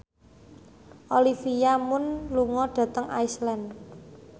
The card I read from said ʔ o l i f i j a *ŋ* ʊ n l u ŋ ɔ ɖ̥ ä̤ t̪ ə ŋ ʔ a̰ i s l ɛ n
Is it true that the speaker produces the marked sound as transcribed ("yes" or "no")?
no